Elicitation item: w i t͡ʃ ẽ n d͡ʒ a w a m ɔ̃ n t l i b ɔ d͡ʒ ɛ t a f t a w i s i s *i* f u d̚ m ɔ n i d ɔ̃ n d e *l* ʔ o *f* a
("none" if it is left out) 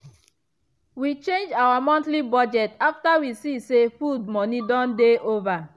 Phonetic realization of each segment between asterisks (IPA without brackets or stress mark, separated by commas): e, none, v